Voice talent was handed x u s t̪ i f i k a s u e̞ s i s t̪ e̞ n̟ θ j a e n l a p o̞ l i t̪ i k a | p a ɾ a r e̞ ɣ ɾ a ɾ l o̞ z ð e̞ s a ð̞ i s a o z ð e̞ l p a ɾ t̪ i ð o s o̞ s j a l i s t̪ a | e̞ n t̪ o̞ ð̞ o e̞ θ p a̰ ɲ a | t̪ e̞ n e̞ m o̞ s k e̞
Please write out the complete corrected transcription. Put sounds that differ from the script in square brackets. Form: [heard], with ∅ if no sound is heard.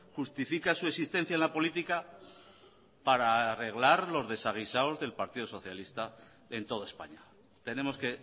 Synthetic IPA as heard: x u s t̪ i f i k a s u e̞ s i s t̪ e̞ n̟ θ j a e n l a p o̞ l i t̪ i k a | p a ɾ a r e̞ ɣ [l] a ɾ l o̞ z ð e̞ s a [ɣ̞] i s a o z ð e̞ l p a ɾ t̪ i ð o s o̞ [θ] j a l i s t̪ a | e̞ n t̪ o̞ ð̞ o e̞ [s] p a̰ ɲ a | t̪ e̞ n e̞ m o̞ s k e̞